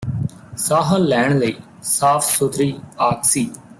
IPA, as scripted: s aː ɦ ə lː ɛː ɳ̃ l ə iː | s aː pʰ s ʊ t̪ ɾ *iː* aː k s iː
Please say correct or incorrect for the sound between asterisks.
correct